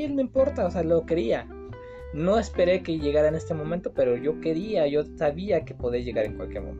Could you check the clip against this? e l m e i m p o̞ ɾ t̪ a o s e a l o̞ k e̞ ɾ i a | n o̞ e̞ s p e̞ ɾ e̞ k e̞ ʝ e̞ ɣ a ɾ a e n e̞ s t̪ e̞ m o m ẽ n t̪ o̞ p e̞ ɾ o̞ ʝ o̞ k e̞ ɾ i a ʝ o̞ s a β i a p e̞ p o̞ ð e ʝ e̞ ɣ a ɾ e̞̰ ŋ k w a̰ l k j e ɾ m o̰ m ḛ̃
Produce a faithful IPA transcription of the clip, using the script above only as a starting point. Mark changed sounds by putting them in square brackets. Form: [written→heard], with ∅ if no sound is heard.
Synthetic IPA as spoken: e l m e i m p o̞ ɾ t̪ a o s e a l o̞ k e̞ ɾ i a | n o̞ e̞ s p e̞ ɾ e̞ k e̞ ʝ e̞ ɣ a ɾ a e n e̞ s t̪ e̞ m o m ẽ n t̪ o̞ p e̞ ɾ o̞ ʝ o̞ k e̞ ɾ i a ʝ o̞ s a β i a [p→k] e̞ p o̞ ð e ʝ e̞ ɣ a ɾ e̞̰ ŋ k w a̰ l k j e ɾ m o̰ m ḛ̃